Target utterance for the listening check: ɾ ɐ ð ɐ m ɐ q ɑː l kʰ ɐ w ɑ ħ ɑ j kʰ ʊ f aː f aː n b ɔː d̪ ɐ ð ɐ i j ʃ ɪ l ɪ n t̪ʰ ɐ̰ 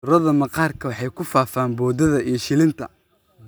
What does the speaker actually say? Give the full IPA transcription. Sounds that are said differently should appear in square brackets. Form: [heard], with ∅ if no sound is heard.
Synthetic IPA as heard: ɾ ɐ ð ɐ m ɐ q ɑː [r] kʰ ɐ w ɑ ħ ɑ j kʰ ʊ f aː f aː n b ɔː d̪ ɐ ð ɐ i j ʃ ɪ l ɪ n t̪ʰ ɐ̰